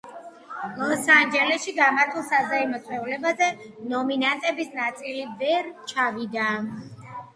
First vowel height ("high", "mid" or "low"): mid